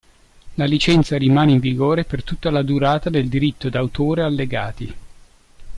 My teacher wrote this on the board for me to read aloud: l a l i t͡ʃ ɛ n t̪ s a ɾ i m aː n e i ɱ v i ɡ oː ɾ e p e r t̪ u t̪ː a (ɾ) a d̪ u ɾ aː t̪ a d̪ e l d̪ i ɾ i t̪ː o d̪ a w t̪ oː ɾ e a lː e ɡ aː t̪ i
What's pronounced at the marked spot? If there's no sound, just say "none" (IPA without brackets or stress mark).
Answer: l